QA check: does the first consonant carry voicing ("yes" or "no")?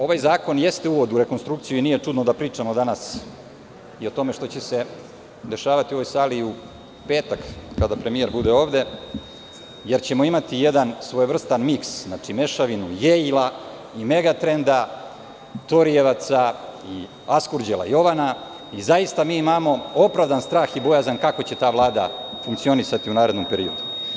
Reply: yes